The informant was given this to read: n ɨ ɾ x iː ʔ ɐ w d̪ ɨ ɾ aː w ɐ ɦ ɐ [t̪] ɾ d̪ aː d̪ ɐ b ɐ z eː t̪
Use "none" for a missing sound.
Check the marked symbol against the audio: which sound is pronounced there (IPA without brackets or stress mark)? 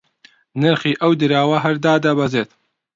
none